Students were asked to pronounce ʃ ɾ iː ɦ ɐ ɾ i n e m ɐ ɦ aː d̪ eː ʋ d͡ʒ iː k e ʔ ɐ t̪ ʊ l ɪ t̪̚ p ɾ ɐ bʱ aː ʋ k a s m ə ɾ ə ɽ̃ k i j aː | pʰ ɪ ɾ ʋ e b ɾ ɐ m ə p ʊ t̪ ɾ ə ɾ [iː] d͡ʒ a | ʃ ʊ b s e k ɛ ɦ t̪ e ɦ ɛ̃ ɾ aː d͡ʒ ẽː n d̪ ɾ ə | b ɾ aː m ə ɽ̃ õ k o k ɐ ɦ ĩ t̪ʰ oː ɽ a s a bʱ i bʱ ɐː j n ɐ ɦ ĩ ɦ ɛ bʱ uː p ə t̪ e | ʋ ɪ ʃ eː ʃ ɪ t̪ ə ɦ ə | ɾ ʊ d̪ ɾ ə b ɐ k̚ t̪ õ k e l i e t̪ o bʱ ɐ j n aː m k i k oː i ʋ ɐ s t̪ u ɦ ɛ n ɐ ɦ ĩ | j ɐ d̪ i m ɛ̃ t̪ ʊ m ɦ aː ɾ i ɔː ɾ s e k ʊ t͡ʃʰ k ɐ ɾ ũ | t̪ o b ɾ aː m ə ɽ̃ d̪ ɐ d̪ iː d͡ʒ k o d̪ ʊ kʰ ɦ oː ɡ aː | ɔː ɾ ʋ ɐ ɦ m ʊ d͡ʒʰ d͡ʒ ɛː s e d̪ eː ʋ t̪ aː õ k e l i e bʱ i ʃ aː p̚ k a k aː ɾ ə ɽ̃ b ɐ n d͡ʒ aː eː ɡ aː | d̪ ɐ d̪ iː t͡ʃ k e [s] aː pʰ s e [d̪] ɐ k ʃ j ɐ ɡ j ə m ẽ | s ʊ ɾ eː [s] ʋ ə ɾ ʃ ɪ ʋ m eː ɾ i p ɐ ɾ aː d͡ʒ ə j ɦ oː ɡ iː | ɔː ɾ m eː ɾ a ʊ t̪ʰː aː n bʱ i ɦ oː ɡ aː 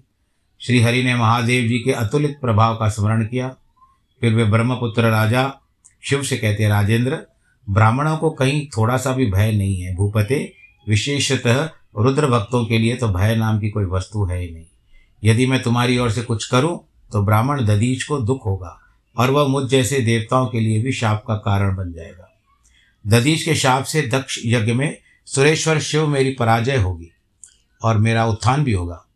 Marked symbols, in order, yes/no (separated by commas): no, no, yes, no